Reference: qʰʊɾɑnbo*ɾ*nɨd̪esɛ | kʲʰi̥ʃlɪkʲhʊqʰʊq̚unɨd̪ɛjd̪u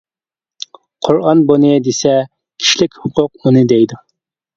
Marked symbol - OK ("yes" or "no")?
no